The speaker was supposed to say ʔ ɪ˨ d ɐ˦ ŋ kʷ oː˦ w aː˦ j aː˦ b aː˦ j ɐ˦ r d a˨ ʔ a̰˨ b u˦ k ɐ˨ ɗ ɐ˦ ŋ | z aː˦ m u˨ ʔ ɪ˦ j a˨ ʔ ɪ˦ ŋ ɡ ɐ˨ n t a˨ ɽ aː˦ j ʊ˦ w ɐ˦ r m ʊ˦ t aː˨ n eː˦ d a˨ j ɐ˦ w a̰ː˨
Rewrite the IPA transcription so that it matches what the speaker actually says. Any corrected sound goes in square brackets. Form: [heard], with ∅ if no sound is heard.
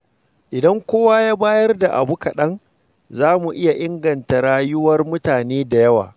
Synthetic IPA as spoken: ʔ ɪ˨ d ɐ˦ ŋ kʷ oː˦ w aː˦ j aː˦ b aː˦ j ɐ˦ r d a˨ ʔ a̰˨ b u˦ k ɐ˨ ɗ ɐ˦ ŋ | z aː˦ m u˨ ʔ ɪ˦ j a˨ ʔ ɪ˦ ŋ ɡ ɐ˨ n t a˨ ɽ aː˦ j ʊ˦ w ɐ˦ r m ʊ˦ t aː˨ n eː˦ d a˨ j ɐ˦ w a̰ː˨